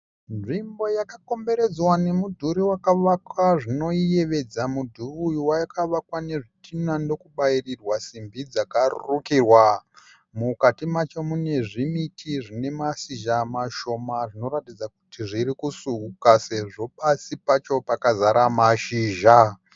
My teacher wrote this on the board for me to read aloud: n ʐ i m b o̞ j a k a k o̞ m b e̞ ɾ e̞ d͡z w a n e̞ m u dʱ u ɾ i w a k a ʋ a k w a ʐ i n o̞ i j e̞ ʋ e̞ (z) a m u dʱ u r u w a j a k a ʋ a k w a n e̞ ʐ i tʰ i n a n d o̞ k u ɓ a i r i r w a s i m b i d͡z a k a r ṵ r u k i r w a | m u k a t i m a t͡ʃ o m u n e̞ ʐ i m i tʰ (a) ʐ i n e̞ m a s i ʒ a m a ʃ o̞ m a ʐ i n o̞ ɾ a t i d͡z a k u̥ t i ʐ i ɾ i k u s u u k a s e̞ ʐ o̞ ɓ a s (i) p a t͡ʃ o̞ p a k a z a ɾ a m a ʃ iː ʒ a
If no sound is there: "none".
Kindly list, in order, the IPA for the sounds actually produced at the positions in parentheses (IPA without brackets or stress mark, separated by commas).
d͡z, i, i